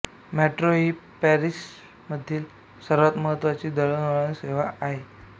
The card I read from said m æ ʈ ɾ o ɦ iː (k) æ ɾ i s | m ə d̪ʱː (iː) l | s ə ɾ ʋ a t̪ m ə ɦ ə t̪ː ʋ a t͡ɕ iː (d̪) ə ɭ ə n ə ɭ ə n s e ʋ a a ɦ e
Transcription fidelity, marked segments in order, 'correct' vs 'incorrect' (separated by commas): incorrect, correct, correct